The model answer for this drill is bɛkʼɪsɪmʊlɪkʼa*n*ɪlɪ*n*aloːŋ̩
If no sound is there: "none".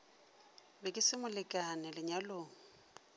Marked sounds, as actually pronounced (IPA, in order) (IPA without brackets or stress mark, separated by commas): n, ɲ